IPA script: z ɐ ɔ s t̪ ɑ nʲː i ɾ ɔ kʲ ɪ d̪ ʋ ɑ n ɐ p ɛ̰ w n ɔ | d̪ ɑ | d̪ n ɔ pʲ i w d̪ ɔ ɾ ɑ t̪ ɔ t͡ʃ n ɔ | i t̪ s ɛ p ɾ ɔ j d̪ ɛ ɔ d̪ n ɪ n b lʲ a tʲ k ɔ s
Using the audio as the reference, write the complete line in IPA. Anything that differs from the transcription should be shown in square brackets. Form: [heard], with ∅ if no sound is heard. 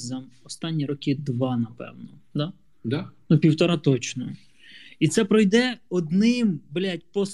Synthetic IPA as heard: z ɐ ɔ s t̪ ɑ nʲː i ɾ ɔ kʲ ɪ d̪ ʋ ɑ n ɐ p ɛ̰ w n ɔ | d̪ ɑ | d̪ n [u] pʲ i w [t̪] ɔ ɾ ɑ t̪ ɔ t͡ʃ n ɔ | i t̪ s ɛ p ɾ ɔ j d̪ ɛ ɔ d̪ n ɪ [m] b lʲ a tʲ [p] ɔ s